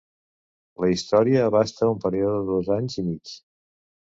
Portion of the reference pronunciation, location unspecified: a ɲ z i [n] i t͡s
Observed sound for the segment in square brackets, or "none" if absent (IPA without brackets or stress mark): m